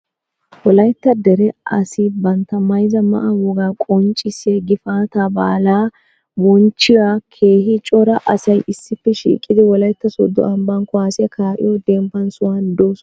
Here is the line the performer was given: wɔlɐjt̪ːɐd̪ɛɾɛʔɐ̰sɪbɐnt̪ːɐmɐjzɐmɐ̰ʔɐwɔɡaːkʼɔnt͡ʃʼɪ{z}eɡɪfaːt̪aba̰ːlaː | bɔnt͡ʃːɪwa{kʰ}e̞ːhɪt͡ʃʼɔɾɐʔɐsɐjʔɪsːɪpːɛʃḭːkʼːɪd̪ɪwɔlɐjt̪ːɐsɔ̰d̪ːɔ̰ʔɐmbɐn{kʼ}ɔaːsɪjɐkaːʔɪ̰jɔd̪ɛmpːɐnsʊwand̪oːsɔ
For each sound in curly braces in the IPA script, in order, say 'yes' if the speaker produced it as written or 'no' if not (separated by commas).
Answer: no, yes, no